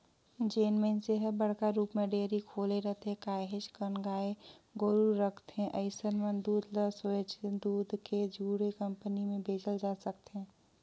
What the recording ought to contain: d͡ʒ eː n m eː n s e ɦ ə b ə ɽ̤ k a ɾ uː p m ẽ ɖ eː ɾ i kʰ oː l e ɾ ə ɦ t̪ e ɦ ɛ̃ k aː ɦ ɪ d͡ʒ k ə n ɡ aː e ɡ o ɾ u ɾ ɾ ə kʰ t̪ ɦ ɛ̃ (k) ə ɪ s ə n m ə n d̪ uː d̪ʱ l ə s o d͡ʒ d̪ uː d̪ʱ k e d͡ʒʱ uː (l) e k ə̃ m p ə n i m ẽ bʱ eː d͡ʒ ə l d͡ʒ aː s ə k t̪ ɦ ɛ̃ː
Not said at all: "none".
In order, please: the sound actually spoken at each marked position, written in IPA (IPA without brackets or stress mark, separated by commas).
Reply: ʔ, ɽ